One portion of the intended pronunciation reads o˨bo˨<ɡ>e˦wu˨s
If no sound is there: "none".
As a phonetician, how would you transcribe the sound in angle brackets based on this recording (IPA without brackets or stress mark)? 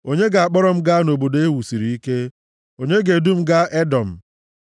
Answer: d